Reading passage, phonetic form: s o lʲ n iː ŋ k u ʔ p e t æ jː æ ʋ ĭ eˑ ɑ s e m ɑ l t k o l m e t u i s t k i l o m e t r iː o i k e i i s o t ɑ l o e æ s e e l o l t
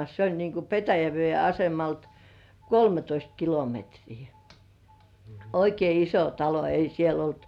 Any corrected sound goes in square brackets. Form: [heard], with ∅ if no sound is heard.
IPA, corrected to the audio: s o lʲ n iː ŋ k u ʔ p e t æ [j] æ ʋ ĭ eˑ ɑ s e m ɑ l t k o l m e t [o] i s t k i l o m e t r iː o i k e i i s o t ɑ l o e [i] s [i] e l o l t